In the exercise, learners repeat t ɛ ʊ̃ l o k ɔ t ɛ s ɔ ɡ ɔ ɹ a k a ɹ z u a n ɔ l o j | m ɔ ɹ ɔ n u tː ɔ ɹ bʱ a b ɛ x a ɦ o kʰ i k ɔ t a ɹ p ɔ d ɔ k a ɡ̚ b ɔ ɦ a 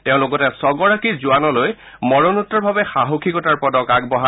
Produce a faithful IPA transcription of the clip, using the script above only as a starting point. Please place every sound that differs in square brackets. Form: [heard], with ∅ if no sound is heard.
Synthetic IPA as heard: t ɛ ʊ̃ l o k ɔ t ɛ s ɔ ɡ ɔ ɹ a k [i] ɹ z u a n ɔ l o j | m ɔ ɹ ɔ n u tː ɔ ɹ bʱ a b ɛ x a ɦ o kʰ i k ɔ t a ɹ p ɔ d ɔ k a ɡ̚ b ɔ ɦ a